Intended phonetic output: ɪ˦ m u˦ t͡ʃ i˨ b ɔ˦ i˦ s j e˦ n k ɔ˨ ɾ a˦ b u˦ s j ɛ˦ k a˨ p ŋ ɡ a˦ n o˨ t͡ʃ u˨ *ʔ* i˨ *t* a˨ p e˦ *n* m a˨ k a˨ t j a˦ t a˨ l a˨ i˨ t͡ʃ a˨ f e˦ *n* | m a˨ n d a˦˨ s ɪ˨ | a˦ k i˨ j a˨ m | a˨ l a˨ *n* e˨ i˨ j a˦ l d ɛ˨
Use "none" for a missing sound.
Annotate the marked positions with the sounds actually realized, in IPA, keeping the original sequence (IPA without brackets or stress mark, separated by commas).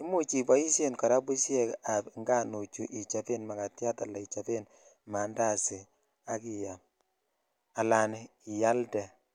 ʔ, t͡ʃ, n, n, n